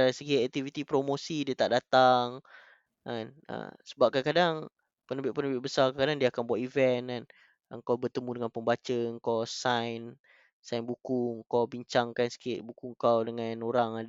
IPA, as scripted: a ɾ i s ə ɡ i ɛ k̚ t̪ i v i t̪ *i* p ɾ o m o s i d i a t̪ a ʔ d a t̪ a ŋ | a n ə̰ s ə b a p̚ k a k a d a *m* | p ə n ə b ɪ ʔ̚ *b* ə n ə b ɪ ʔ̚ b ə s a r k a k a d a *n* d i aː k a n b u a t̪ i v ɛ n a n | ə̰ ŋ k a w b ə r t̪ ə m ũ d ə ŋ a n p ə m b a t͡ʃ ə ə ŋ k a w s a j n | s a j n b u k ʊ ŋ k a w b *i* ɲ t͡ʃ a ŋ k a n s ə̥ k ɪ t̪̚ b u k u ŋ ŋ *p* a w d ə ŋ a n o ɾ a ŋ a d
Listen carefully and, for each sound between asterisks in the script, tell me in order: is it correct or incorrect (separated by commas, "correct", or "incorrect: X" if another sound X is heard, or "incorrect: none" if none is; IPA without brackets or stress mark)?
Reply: correct, incorrect: ŋ, incorrect: p, incorrect: ŋ, correct, incorrect: k